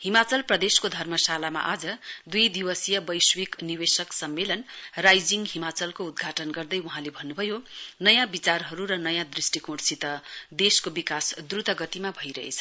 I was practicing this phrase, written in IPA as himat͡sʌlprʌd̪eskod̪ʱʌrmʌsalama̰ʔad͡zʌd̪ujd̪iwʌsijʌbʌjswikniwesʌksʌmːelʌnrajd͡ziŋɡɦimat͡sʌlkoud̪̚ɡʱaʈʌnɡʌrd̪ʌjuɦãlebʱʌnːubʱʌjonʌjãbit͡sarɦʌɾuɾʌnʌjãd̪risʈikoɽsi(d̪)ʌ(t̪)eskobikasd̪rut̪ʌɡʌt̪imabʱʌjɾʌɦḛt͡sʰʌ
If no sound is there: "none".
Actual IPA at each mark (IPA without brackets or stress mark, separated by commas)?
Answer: t̪, d̪